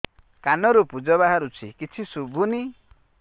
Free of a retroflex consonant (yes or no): yes